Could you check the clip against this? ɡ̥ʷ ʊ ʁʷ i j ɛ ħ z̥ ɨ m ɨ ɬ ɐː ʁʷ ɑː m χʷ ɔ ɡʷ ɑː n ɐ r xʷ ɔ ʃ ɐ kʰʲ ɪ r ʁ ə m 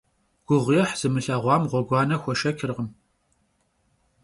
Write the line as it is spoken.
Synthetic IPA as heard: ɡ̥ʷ ʊ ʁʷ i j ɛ ħ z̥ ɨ m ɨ ɬ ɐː ʁʷ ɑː m ʁʷ ɔ ɡʷ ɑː n ɐ xʷ ɔ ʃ ɐ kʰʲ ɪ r ʁ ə m